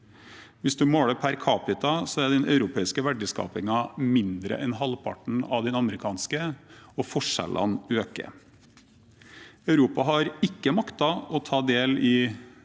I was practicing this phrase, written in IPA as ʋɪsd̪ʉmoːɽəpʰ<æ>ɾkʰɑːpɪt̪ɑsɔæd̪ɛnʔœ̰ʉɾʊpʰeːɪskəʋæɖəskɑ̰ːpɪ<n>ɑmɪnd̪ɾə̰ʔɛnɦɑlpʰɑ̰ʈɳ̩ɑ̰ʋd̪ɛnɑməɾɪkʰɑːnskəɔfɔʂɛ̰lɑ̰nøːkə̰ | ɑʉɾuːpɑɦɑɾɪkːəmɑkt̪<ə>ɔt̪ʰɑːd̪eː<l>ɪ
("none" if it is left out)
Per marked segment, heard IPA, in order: æ, ŋ, ɑ, l

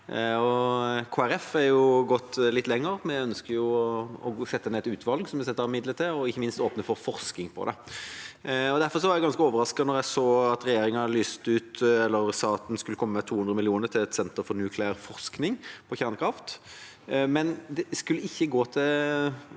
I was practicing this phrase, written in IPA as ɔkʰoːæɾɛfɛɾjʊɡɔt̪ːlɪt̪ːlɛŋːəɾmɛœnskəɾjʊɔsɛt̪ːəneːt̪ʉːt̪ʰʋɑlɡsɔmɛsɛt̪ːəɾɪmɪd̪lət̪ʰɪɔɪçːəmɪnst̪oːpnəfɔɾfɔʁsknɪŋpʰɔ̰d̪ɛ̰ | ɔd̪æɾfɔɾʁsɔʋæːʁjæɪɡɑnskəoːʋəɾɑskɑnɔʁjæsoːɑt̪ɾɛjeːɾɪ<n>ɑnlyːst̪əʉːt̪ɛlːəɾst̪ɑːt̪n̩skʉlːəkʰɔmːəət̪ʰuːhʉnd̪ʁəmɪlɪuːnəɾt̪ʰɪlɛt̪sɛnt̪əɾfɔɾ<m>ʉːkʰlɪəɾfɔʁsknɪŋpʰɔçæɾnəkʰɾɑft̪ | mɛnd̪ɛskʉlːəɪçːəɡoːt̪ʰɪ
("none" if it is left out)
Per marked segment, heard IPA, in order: ŋ, n

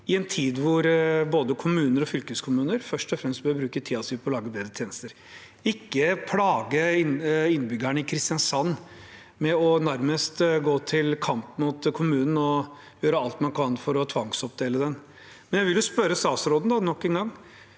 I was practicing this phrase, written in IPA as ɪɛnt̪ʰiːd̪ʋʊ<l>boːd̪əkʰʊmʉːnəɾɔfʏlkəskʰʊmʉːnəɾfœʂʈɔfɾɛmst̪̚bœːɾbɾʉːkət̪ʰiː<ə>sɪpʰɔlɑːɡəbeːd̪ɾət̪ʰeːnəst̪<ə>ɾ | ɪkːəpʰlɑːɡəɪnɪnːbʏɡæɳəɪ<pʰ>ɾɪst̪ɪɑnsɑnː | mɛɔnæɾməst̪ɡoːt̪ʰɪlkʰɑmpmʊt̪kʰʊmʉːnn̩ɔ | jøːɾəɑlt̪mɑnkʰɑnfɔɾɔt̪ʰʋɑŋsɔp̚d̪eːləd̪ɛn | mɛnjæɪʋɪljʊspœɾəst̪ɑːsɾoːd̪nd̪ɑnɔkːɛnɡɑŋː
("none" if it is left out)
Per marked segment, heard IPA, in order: ɾ, ɑ, ə, kʰ

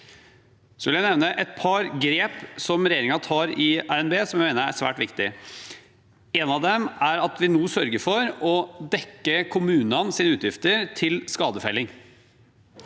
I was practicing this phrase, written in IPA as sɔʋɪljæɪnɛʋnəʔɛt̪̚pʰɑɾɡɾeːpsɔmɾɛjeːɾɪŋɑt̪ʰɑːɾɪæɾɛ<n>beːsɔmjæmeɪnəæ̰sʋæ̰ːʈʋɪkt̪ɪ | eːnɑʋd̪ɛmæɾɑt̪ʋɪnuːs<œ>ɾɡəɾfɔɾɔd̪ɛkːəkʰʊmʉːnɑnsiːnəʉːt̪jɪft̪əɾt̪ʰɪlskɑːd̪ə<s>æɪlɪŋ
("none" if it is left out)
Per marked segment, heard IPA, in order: n, œ, f

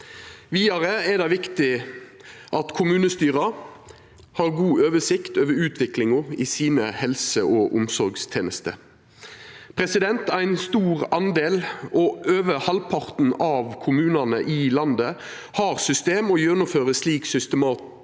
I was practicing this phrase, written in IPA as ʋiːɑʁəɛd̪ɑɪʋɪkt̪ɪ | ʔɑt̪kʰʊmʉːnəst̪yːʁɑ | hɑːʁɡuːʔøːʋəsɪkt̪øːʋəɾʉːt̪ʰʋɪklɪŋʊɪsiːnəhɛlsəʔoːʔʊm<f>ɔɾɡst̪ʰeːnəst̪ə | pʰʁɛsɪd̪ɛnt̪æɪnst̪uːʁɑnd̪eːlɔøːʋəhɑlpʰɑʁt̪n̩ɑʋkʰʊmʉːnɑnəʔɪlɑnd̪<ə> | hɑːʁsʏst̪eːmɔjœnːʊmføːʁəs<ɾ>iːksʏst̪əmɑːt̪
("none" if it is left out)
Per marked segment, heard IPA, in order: s, ə, l

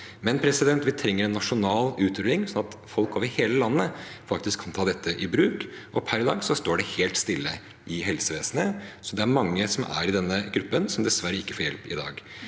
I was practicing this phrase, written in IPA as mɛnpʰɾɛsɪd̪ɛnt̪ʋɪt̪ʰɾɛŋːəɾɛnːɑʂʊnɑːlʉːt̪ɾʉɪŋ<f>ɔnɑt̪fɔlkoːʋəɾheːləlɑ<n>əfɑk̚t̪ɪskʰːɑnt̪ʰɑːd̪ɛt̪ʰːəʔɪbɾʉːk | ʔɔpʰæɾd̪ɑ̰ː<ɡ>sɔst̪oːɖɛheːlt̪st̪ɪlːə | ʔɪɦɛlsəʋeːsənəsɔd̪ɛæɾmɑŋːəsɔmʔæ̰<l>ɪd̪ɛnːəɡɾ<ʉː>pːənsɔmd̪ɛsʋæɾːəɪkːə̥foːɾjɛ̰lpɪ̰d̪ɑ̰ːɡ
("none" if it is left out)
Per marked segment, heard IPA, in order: s, nː, ɡ, ɾ, ʉ

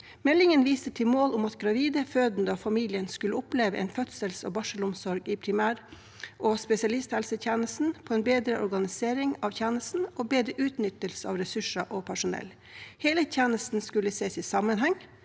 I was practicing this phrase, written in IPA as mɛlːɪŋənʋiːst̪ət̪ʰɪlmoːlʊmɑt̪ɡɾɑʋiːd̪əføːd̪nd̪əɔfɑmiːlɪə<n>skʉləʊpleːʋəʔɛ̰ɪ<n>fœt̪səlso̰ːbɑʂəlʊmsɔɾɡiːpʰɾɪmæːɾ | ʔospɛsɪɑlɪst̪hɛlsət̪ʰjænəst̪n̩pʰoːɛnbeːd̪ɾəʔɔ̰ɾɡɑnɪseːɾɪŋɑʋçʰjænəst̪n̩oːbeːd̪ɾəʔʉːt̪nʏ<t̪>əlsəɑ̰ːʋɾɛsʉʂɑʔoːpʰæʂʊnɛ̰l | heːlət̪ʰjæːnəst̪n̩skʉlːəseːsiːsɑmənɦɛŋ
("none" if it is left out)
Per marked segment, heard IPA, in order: n, n, t̪

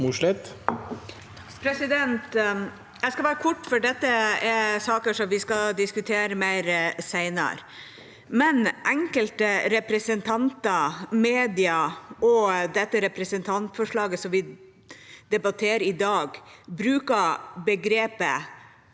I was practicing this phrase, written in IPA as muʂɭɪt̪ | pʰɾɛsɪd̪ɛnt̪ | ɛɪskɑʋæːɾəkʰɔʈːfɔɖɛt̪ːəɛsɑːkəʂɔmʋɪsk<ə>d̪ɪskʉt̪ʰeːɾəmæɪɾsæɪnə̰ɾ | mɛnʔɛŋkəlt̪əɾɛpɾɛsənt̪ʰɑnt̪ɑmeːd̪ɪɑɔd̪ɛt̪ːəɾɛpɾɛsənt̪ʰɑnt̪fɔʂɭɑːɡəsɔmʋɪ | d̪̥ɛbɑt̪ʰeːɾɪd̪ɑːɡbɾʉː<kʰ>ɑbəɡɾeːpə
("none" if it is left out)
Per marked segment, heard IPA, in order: ɑ, k

